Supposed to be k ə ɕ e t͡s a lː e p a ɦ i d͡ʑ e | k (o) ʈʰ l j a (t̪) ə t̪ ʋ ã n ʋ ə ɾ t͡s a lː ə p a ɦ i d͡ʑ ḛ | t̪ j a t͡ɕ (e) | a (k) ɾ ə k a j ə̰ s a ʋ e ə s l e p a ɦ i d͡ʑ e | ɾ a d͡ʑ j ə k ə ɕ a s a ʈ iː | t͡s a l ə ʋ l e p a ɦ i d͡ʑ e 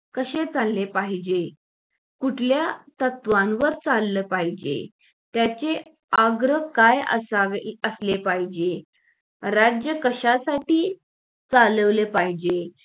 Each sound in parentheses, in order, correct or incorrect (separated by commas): incorrect, correct, correct, incorrect